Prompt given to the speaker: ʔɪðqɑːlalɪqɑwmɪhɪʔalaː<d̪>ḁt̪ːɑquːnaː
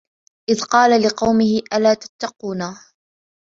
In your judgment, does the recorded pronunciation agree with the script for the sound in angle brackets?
no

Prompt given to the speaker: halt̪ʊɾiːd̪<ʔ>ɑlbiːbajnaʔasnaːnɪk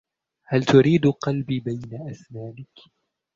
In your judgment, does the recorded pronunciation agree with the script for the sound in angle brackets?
no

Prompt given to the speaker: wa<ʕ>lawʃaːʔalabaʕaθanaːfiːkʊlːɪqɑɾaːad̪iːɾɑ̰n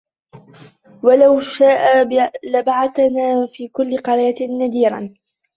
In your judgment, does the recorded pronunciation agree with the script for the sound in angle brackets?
no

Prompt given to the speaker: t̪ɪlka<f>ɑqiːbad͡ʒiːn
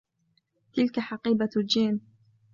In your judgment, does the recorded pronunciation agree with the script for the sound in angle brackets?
no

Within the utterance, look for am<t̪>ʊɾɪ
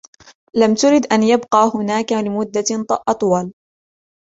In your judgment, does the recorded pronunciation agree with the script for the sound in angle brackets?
yes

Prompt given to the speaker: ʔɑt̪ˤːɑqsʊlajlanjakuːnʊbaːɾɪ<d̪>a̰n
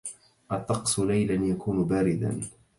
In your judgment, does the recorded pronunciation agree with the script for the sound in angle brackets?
yes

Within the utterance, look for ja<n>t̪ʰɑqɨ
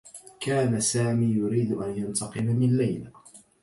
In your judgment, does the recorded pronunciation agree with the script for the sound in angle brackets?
yes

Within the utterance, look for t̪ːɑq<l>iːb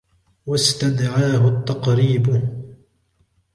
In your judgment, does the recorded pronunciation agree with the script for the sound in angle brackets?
no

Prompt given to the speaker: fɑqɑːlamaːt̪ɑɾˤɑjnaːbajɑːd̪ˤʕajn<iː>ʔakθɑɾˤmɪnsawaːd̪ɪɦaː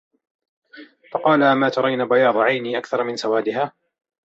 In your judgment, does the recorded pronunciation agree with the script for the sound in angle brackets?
yes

